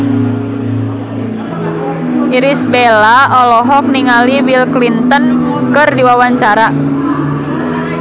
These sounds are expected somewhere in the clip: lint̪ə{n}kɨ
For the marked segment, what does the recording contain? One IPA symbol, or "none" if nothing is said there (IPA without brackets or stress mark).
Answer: n